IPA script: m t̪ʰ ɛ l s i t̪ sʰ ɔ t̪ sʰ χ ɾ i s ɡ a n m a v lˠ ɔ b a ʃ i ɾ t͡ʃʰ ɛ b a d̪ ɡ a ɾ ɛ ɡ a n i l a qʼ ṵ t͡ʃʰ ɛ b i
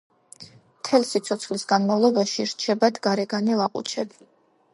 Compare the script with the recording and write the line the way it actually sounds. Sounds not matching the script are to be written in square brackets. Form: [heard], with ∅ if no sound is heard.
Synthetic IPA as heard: m t̪ʰ ɛ l s i t̪ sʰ ɔ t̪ sʰ χ [l] i s ɡ a n m a v lˠ ɔ b a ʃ i ɾ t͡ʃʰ ɛ b a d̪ ɡ a ɾ ɛ ɡ a n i l a qʼ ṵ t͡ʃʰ ɛ b i